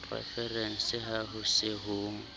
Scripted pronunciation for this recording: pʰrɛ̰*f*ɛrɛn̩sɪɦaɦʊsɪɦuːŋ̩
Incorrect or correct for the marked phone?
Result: correct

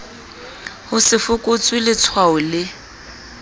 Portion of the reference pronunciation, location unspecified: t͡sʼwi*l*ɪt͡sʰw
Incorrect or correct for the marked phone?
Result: correct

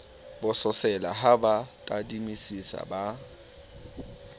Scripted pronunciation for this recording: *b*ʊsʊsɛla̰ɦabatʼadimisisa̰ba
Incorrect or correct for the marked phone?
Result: correct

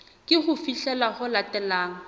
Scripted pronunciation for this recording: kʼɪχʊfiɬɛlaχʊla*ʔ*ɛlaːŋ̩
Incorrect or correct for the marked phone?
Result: incorrect: t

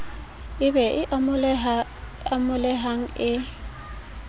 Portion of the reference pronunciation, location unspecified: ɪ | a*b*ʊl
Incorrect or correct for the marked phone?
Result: incorrect: m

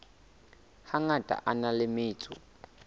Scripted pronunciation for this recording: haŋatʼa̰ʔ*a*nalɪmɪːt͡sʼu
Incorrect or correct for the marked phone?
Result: correct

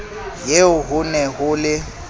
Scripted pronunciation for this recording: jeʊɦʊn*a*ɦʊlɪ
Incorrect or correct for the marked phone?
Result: incorrect: ɛ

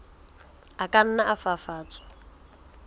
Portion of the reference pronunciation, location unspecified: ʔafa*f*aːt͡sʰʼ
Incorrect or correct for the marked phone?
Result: correct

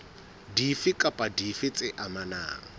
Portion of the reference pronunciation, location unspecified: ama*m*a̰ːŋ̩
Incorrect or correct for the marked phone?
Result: incorrect: n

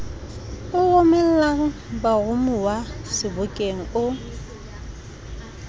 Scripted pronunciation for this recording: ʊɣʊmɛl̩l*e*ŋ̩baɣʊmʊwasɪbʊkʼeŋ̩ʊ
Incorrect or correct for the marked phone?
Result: incorrect: a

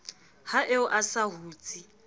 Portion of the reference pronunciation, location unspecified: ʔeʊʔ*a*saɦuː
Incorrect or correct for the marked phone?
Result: correct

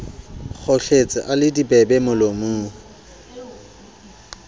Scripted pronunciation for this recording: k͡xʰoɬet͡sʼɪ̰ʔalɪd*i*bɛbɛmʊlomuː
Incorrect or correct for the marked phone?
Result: correct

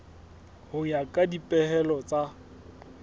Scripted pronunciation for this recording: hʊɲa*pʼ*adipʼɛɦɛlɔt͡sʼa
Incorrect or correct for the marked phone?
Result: incorrect: kʼ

